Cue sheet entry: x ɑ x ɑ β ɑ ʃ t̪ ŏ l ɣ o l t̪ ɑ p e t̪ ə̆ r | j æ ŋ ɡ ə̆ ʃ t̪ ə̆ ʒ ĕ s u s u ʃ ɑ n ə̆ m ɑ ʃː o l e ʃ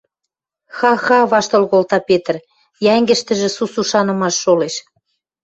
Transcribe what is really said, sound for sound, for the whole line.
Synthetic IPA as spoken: x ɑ x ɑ β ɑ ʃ t̪ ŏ l ɣ o l t̪ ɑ p e t̪ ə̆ r | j æ ŋ ɡ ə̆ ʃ t̪ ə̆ ʒ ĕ s u s u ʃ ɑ n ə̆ m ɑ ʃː o l e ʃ